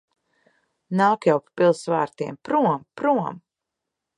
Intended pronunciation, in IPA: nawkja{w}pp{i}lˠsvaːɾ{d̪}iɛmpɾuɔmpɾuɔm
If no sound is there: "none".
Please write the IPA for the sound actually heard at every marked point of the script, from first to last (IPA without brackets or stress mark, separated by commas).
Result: w, i, t̪